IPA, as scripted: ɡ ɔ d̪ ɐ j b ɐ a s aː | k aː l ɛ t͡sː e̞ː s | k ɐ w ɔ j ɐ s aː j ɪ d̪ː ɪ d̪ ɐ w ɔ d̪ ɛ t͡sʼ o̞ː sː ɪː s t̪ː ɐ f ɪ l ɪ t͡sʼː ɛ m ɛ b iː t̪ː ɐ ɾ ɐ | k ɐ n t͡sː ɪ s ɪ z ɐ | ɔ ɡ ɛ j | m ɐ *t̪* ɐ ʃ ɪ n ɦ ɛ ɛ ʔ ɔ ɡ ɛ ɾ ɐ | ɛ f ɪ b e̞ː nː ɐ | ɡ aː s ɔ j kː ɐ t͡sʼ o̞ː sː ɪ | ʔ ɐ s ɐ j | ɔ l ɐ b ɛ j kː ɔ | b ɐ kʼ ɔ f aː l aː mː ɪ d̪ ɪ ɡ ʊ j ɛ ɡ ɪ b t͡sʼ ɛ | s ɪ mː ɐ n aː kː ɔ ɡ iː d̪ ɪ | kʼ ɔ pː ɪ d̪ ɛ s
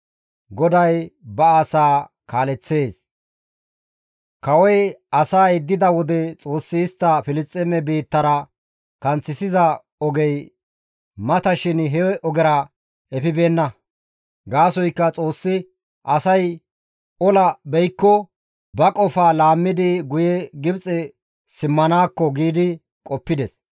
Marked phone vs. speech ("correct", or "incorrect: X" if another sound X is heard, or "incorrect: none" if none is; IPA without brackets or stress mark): correct